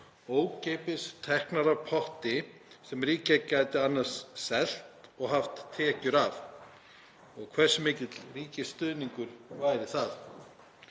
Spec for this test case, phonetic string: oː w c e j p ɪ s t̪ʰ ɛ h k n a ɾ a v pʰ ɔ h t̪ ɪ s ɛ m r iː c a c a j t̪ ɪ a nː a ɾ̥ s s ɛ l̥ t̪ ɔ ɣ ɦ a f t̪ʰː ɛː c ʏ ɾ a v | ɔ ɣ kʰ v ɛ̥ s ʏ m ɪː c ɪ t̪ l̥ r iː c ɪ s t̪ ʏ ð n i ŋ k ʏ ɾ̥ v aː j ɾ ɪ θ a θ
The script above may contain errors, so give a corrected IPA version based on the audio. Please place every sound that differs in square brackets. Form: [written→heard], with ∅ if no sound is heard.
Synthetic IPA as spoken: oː w c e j p ɪ s t̪ʰ ɛ h k n a ɾ a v pʰ ɔ h t̪ ɪ s ɛ m r iː c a c a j t̪ ɪ a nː a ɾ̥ s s ɛ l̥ t̪ ɔ ɣ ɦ a f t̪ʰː ɛː c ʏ ɾ a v | ɔ ɣ kʰ v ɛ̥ s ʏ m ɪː c ɪ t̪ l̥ r iː c ɪ s t̪ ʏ ð n i ŋ k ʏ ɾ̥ v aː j ɾ ɪ θ a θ